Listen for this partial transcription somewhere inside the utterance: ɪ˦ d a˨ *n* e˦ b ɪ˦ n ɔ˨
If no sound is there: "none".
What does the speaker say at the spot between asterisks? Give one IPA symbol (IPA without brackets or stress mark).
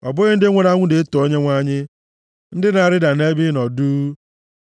n